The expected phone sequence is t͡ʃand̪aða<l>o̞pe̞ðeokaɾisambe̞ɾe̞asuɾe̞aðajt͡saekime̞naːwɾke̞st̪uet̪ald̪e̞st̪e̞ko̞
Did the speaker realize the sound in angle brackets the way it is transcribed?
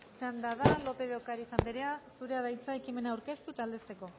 yes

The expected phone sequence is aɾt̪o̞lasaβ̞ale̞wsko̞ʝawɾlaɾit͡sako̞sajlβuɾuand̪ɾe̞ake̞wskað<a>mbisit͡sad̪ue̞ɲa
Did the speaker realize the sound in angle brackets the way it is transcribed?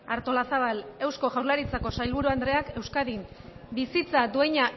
no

